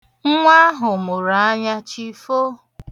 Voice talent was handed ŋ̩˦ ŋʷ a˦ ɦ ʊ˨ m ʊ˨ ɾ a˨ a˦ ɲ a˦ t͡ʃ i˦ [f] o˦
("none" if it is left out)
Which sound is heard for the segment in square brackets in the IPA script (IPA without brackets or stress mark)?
f